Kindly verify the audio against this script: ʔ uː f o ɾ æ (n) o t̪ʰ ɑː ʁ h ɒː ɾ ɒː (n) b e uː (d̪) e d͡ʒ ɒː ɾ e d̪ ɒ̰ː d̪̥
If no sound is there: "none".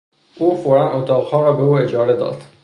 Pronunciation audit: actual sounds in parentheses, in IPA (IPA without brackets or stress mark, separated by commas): n, none, none